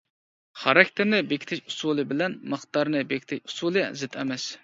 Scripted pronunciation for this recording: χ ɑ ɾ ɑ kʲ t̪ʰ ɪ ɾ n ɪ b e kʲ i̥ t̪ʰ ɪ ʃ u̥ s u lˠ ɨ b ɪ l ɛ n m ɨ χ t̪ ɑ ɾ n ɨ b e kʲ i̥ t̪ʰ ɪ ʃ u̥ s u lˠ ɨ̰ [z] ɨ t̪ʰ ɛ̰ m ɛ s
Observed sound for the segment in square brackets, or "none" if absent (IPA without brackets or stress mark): z